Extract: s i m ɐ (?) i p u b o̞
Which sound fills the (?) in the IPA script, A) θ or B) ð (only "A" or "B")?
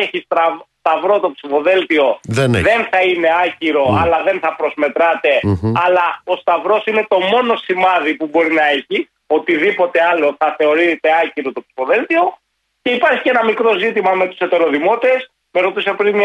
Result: B